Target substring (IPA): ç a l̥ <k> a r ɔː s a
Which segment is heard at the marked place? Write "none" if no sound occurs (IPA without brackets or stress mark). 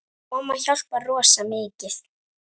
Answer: p